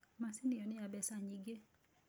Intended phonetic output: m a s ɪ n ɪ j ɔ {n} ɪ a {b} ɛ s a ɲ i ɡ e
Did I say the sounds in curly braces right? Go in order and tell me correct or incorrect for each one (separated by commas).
correct, correct